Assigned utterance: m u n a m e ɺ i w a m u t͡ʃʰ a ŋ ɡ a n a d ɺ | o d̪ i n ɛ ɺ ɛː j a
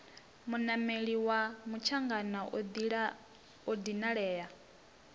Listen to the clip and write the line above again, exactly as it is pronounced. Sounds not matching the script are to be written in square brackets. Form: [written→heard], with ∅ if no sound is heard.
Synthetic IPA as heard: m u n a m e ɺ i w a m u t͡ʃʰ a ŋ ɡ a n a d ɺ | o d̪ i n [ɛ→a] ɺ ɛː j a